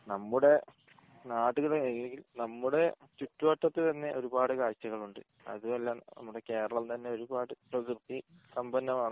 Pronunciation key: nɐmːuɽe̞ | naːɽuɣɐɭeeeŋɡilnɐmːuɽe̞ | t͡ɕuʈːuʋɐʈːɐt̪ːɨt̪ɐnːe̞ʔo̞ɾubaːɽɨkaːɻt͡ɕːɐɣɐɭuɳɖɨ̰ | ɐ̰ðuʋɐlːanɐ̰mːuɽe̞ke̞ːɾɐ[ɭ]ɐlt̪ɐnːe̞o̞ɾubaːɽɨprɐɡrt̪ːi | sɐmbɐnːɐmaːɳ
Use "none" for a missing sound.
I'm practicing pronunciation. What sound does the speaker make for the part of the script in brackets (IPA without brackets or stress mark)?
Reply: ɭ